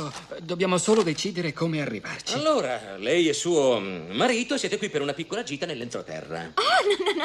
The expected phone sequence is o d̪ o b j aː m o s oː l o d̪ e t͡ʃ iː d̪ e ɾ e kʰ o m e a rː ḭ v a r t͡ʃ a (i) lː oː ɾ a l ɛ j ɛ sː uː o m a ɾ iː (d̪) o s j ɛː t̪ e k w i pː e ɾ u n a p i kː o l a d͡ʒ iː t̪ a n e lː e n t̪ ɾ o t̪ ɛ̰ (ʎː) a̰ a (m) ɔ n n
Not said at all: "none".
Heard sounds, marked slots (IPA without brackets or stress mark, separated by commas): i, t̪, rː, n